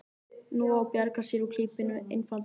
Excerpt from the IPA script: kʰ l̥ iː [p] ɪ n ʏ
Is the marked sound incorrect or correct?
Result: correct